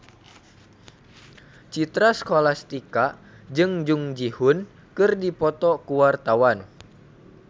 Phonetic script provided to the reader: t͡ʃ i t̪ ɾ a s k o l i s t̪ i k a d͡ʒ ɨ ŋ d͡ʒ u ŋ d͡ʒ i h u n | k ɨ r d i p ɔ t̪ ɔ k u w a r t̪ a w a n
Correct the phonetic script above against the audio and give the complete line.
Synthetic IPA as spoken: t͡ʃ i t̪ ɾ a s k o l a s t̪ i k a d͡ʒ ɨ ŋ d͡ʒ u ŋ d͡ʒ i h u n | k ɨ r d i p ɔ t̪ ɔ k u w a r t̪ a w a n